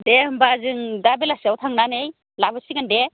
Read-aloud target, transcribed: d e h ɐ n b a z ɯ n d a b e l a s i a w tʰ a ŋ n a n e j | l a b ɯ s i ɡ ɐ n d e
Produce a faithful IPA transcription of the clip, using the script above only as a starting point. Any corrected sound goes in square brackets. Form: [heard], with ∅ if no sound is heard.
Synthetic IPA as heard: d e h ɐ [m] b a z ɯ [ŋ] d a b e l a s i a w tʰ a ŋ n a n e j | l a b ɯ s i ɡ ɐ n d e